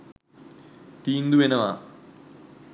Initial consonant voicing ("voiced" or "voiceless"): voiceless